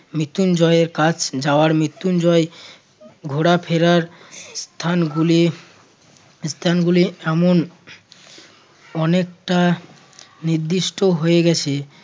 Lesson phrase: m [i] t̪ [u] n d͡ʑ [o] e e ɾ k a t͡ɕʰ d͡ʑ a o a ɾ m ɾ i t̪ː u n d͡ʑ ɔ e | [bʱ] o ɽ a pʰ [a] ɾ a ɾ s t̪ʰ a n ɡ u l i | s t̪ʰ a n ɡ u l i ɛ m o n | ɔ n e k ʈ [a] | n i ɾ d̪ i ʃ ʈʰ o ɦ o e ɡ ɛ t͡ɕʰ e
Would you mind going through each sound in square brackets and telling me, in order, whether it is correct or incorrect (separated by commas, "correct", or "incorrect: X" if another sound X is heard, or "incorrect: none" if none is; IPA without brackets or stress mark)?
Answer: correct, correct, incorrect: ɔ, incorrect: ɡʱ, incorrect: e, correct